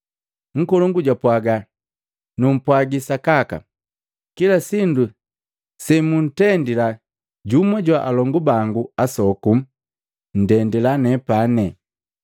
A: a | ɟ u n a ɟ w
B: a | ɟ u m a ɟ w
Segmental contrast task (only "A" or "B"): B